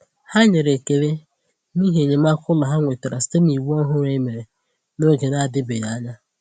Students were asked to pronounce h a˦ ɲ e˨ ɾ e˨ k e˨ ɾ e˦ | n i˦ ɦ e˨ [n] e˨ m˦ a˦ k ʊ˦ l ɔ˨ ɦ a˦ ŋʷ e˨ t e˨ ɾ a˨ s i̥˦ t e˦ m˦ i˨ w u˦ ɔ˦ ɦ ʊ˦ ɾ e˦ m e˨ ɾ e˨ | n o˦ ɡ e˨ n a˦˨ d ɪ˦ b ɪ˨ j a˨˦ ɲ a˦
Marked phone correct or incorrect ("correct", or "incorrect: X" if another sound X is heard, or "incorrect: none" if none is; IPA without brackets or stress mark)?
incorrect: ɲ